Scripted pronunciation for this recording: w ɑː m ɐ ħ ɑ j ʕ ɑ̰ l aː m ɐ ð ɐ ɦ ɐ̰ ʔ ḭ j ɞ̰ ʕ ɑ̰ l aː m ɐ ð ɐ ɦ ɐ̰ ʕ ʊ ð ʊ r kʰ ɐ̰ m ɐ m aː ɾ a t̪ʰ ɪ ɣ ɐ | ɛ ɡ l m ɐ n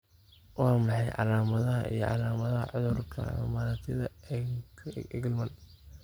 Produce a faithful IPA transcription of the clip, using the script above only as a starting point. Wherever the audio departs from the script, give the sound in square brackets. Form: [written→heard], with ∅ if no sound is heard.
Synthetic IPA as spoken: w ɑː m [ɐ→ɑ] ħ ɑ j ʕ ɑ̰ l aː m ɐ ð ɐ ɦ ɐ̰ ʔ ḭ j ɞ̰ ʕ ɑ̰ l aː m ɐ ð ɐ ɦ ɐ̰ ʕ ʊ ð ʊ r kʰ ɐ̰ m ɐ m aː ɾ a t̪ʰ ɪ [ɣ→ð] ɐ | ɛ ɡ l m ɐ n